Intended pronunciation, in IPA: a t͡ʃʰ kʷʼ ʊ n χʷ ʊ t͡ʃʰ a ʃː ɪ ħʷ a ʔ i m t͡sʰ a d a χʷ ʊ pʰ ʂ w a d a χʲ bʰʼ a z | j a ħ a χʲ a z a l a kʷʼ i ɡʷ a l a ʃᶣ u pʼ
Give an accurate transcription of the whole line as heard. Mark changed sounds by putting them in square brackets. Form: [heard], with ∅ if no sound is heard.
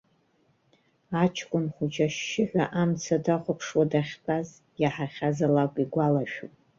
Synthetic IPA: a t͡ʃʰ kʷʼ ʊ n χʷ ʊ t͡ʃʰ a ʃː ɪ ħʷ a ʔ [a] m t͡sʰ a d a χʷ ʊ pʰ ʂ w a d a χʲ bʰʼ a z | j a ħ a χʲ a z a l a kʷʼ i ɡʷ a l a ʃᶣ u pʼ